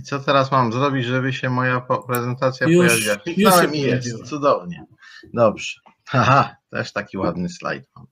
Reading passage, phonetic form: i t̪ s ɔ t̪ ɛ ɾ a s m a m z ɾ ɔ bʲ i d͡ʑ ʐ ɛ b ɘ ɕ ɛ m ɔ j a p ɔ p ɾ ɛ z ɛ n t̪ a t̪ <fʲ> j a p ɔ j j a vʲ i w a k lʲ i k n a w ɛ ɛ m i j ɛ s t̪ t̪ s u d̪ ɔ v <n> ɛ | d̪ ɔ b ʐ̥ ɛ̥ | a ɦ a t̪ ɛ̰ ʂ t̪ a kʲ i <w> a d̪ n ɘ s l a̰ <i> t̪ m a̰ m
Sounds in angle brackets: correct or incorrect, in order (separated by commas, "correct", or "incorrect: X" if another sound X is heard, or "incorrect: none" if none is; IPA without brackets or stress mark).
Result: incorrect: sʲ, incorrect: ɲ, correct, incorrect: j